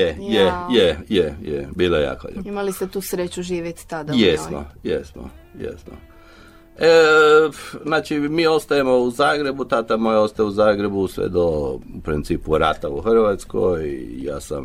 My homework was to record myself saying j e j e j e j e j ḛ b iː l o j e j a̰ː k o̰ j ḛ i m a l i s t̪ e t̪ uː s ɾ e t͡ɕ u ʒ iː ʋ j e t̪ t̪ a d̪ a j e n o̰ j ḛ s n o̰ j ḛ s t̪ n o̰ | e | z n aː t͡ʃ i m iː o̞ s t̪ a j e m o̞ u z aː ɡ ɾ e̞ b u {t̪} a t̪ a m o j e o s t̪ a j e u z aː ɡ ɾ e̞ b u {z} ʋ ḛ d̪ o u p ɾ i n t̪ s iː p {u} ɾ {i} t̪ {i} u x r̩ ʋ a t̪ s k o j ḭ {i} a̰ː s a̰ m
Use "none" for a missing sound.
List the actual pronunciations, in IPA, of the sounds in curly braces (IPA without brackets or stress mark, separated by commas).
t̪, s, u, a, a, j